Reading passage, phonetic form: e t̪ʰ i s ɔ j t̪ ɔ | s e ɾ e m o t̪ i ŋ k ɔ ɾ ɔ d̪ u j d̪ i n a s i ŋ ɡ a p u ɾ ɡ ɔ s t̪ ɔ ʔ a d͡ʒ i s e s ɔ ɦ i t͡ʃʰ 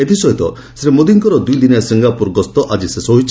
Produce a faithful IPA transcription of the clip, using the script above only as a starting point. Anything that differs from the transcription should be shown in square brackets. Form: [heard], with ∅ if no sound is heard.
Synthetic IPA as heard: e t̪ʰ i s ɔ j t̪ ɔ | s e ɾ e m o [d̪] i ŋ k ɔ ɾ ɔ d̪ u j d̪ i n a s i ŋ ɡ a p u ɾ ɡ ɔ s t̪ ɔ ʔ a d͡ʒ i s e s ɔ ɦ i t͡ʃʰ